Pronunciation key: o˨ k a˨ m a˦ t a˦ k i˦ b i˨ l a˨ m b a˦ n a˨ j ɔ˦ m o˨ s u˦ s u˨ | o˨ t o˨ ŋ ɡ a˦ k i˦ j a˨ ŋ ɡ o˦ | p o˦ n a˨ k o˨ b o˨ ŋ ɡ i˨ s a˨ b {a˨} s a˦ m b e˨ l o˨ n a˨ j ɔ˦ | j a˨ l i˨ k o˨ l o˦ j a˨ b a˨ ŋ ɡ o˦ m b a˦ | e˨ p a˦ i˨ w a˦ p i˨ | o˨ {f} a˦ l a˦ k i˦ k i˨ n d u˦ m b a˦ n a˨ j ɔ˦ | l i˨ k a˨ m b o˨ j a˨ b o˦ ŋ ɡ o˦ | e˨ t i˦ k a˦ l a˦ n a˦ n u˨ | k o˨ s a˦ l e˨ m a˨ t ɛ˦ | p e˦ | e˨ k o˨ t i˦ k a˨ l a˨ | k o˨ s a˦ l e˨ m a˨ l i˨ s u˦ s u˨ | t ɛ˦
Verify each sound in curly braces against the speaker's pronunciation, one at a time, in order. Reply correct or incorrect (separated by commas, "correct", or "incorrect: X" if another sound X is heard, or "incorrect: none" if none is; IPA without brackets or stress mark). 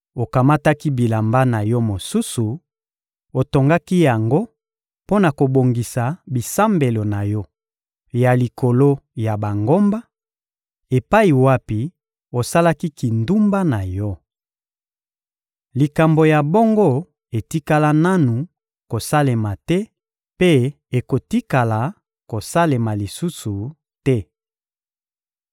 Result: incorrect: i˨, incorrect: s